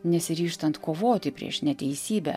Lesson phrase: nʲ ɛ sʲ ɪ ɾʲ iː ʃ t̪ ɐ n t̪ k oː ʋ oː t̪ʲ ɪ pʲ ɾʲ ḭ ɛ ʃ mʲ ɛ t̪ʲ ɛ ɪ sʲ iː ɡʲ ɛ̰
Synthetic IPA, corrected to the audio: nʲ ɛ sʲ ɪ ɾʲ iː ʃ t̪ ɐ n t̪ k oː ʋ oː t̪ʲ ɪ pʲ ɾʲ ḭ ɛ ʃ nʲ ɛ t̪ʲ ɛ ɪ sʲ iː bʲ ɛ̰